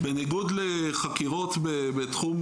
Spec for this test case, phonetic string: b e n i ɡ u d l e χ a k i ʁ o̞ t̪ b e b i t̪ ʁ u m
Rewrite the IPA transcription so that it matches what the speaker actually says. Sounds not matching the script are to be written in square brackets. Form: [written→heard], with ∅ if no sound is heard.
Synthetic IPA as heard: b e n i ɡ u d l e χ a k i ʁ o̞ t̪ b e b [i→e] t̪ [ʁ→χ] u m